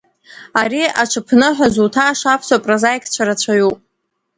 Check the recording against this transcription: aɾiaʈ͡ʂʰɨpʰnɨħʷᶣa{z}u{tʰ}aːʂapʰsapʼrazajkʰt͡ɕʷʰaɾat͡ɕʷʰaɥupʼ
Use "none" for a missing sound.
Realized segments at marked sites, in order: z, tʰ

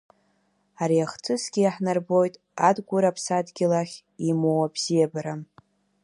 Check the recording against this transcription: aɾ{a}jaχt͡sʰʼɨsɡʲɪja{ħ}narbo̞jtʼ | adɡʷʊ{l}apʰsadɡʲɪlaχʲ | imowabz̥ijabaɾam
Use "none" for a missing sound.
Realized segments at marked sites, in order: i, ħ, ɾ

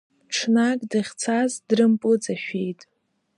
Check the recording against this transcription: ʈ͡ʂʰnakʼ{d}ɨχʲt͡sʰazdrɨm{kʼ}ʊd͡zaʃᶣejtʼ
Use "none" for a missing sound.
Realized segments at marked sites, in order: d, pʼ

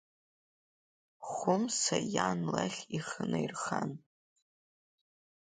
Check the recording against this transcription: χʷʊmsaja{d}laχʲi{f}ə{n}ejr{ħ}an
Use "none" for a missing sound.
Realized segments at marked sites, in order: n, χ, n, χ

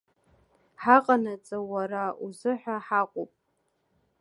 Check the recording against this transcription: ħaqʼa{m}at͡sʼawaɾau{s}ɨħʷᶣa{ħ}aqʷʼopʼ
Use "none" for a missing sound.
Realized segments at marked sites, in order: n, z, ħ

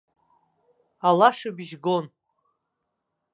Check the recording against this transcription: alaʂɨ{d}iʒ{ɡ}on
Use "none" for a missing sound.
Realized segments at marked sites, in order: b, ɡ

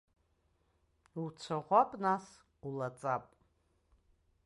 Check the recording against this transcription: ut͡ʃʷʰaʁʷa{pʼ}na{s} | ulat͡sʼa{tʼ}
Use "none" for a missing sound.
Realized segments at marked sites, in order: pʼ, s, pʼ

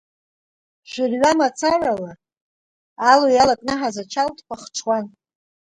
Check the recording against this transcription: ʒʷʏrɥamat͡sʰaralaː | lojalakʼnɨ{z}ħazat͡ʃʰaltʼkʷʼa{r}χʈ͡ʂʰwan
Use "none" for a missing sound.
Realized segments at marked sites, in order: none, none

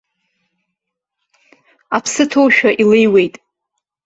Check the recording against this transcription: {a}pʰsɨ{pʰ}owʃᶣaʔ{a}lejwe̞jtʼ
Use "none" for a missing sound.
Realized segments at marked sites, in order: a, tʰ, i

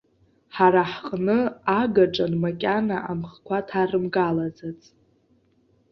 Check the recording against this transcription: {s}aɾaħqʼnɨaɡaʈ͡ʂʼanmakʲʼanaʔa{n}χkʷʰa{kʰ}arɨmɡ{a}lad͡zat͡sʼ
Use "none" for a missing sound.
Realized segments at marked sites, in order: ħ, m, tʰ, a

